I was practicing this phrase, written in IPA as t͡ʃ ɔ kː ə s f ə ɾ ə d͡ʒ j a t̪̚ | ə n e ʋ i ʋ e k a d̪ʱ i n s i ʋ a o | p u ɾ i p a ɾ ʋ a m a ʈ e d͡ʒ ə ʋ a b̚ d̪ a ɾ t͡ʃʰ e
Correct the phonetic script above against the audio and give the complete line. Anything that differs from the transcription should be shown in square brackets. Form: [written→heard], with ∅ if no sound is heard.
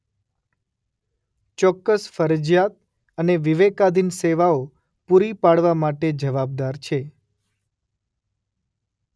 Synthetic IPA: t͡ʃ ɔ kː ə s f ə ɾ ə d͡ʒ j a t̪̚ | ə n e ʋ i ʋ e k a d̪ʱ i n s [i→e] ʋ a o | p u ɾ i p a [ɾ→ɽ] ʋ a m a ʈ e d͡ʒ ə ʋ a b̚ d̪ a ɾ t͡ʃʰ e